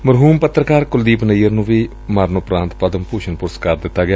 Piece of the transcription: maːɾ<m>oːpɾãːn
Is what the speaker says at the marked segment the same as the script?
no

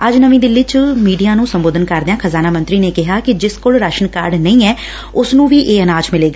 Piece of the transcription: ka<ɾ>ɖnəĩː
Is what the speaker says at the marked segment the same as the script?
yes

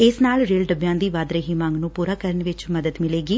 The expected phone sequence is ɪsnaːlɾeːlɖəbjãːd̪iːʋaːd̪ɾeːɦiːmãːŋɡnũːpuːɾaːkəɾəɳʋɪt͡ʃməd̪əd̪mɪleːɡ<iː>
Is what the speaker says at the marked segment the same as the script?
yes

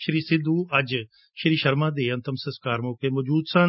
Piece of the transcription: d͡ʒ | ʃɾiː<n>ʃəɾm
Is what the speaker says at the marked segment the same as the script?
no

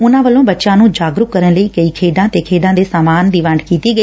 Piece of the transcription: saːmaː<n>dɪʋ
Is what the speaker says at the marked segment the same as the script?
yes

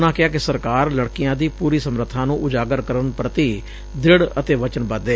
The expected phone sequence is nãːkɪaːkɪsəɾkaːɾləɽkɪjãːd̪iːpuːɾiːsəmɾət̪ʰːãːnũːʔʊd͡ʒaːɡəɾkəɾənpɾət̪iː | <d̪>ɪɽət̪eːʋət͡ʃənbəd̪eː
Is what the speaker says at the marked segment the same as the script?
yes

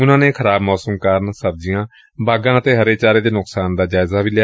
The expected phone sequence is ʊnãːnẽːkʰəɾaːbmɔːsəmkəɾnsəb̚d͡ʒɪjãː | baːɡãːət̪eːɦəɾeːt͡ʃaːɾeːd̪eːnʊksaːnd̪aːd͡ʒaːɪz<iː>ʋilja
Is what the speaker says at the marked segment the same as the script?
no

